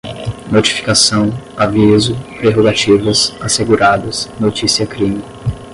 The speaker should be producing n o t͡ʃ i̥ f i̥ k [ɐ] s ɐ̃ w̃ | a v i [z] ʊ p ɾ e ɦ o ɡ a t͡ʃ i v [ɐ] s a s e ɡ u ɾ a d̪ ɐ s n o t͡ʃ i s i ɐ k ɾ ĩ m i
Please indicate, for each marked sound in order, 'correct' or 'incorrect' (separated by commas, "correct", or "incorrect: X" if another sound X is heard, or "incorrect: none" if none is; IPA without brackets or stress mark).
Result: incorrect: a, correct, correct